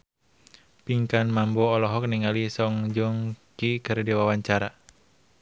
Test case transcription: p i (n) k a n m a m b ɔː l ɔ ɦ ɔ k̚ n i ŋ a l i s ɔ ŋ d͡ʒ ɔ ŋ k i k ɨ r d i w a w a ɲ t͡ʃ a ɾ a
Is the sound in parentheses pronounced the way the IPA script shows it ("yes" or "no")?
no